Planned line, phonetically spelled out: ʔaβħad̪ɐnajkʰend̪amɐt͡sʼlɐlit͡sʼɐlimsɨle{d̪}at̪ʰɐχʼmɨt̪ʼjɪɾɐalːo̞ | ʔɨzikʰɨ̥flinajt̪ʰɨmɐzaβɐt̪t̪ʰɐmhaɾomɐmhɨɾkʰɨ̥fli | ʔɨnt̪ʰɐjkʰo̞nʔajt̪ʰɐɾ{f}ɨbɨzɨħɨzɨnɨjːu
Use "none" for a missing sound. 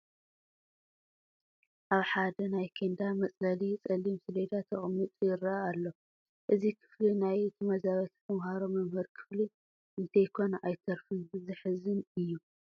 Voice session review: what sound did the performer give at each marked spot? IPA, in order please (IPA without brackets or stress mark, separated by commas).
d̪, f